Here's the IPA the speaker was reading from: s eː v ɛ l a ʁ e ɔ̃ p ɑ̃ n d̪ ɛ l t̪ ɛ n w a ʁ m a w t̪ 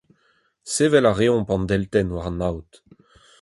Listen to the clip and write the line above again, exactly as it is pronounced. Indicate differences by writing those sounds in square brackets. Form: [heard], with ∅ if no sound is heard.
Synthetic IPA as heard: s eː v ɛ l a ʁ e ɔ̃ p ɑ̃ n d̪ ɛ l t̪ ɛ n w a ʁ [n] a w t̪